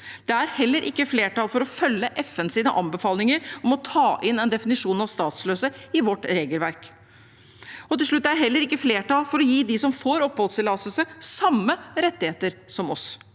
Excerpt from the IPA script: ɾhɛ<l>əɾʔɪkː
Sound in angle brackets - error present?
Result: yes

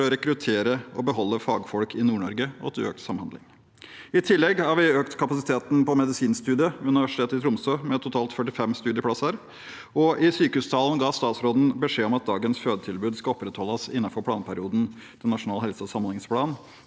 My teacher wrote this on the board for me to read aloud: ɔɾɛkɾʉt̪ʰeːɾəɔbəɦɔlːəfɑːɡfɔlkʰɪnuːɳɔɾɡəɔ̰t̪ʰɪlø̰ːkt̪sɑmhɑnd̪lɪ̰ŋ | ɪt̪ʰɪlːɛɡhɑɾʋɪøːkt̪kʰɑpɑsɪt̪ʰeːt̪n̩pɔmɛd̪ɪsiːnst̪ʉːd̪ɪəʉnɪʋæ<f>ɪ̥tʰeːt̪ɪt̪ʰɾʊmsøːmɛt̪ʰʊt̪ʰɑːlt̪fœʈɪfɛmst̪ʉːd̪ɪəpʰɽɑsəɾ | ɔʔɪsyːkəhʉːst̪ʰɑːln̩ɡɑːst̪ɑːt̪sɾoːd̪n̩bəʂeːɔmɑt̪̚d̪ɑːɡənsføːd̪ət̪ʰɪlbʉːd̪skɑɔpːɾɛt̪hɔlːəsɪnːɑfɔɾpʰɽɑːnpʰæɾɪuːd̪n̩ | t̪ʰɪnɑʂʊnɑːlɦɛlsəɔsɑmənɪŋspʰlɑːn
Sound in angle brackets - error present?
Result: yes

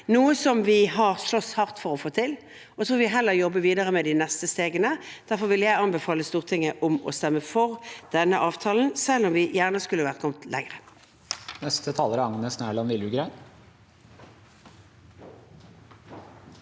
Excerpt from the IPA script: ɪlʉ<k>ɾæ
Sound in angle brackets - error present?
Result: yes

